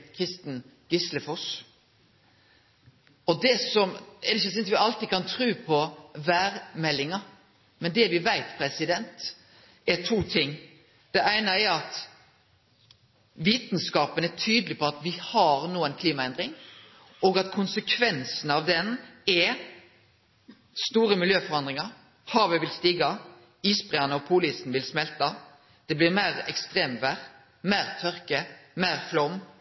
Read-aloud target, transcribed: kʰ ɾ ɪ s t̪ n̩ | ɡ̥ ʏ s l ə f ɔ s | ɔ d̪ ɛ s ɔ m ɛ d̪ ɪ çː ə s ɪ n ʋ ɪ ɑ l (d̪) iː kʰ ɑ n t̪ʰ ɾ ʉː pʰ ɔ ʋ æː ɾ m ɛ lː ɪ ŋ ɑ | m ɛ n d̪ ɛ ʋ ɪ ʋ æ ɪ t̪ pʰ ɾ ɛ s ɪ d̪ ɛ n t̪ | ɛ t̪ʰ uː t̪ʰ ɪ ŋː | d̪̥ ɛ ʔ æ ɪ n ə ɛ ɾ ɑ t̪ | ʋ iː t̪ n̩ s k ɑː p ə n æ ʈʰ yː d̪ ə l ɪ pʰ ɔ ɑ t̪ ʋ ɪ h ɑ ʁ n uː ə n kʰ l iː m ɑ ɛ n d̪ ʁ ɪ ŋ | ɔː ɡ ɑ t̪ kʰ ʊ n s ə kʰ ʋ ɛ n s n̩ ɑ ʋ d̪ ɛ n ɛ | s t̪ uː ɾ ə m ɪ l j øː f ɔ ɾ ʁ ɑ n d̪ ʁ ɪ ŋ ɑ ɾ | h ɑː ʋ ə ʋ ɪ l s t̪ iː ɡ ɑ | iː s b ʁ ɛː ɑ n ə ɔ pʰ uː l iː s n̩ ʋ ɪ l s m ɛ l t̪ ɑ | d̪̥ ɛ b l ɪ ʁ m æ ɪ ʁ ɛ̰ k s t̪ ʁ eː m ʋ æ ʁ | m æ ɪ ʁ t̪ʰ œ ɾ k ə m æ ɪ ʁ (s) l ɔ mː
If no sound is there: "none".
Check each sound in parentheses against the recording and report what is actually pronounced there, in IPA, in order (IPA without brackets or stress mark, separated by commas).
t̪, f